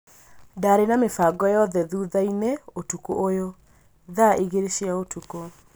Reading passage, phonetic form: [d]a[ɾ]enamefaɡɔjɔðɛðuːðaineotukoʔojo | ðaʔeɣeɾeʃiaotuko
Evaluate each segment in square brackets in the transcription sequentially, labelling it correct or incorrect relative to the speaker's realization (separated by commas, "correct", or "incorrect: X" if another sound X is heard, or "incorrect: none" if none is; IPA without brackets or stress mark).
correct, correct